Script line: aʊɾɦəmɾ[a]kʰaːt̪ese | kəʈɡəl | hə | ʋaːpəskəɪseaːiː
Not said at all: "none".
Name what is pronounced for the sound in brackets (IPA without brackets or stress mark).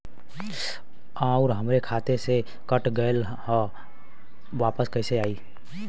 e